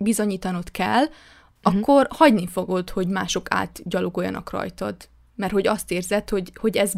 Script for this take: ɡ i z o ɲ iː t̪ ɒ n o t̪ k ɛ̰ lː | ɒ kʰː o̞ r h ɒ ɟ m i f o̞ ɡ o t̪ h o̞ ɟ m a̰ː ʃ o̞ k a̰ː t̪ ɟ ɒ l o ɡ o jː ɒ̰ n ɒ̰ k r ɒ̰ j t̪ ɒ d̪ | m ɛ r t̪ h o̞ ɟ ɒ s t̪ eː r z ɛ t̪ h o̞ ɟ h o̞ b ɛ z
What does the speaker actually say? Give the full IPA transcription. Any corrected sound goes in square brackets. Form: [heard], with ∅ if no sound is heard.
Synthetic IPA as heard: [b] i z o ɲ iː t̪ ɒ n o t̪ k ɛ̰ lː | ɒ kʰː o̞ r h ɒ ɟ [n] i f o̞ ɡ o t̪ h o̞ ɟ m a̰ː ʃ o̞ k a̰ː t̪ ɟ ɒ l o ɡ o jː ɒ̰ n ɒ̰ k r ɒ̰ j t̪ ɒ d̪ | m ɛ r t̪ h o̞ ɟ ɒ s t̪ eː r z ɛ t̪ h o̞ ɟ h o̞ [ɟ] ɛ z